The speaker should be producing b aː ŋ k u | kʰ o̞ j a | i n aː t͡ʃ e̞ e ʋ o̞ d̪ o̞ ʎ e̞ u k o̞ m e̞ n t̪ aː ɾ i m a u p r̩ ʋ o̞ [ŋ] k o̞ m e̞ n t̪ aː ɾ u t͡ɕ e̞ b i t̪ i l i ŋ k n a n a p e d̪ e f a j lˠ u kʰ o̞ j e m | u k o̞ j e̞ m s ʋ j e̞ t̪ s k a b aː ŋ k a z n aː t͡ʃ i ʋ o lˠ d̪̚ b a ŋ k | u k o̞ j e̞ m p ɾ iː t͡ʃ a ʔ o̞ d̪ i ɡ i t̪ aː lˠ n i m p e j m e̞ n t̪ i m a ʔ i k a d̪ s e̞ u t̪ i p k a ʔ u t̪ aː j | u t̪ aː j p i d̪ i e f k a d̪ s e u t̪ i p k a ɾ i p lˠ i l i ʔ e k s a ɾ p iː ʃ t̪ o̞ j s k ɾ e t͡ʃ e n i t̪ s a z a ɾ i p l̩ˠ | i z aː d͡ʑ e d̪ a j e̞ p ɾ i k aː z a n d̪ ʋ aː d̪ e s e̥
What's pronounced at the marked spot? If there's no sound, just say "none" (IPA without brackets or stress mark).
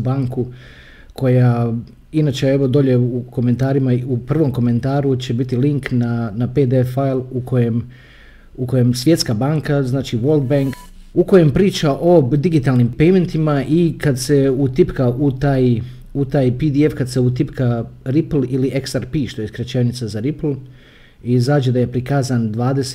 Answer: m